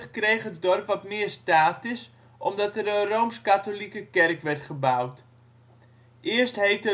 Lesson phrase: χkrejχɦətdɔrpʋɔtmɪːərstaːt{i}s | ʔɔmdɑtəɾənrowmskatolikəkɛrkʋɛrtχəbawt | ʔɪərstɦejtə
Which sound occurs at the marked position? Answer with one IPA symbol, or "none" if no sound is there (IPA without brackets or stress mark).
ɪ